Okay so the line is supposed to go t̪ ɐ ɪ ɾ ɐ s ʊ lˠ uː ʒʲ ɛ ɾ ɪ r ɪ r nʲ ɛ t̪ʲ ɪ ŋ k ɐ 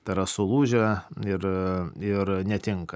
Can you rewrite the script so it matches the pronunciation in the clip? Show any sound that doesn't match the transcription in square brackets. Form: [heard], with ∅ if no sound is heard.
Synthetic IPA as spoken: t̪ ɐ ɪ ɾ ɐ s ʊ lˠ uː ʒʲ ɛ [∅] ɪ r ɪ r nʲ ɛ t̪ʲ ɪ ŋ k ɐ